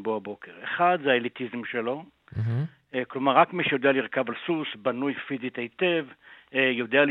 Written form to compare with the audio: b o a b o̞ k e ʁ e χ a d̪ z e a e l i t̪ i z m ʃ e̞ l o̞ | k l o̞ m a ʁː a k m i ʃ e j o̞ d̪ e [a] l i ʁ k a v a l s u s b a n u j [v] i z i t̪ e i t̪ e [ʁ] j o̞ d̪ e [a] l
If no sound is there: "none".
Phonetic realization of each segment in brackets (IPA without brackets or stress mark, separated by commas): a, f, v, a